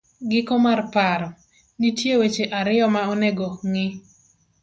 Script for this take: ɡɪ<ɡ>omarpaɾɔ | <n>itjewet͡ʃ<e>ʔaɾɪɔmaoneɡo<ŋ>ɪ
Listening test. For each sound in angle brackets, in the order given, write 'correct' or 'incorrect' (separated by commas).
incorrect, correct, correct, correct